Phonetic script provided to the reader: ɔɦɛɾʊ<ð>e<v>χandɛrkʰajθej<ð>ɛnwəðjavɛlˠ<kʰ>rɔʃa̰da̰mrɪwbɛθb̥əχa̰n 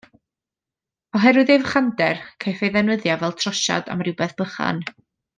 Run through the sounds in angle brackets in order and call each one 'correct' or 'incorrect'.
correct, correct, correct, incorrect: tʰ

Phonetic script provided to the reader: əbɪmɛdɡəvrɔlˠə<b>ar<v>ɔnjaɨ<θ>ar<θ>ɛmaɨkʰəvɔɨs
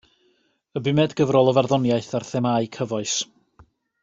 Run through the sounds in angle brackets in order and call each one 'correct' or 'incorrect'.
incorrect: v, incorrect: ð, correct, correct

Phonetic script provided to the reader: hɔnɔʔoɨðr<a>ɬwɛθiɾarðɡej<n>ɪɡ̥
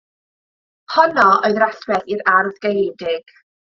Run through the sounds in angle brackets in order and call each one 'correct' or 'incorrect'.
correct, incorrect: d

